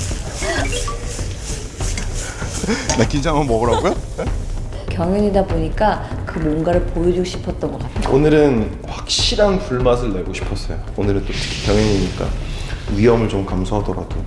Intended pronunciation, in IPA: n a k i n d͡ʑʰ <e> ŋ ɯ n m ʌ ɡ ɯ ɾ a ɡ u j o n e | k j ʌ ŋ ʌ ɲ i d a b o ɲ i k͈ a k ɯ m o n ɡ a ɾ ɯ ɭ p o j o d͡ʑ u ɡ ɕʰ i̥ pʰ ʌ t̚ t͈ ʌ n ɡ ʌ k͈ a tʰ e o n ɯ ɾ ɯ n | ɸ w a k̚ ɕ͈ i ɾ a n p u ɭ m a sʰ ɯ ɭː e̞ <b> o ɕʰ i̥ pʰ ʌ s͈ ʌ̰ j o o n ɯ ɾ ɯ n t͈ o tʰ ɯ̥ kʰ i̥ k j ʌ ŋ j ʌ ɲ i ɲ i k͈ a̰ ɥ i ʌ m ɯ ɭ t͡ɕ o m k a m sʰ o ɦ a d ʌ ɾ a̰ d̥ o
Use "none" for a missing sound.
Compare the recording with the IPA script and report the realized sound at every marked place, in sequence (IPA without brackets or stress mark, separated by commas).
a, ɡ